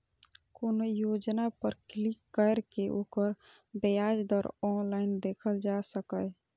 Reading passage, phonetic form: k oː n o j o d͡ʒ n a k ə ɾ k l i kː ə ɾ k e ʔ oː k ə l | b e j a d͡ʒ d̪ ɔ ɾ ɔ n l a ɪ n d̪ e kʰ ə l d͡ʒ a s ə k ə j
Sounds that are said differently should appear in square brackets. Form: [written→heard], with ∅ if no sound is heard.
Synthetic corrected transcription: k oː n o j o d͡ʒ n a [k→p] ə ɾ k l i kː ə ɾ k e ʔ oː k ə [l→ɾ] | b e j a d͡ʒ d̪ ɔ ɾ ɔ n l a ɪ n d̪ e kʰ ə l d͡ʒ a s ə k ə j